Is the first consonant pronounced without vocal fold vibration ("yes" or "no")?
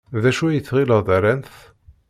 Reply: no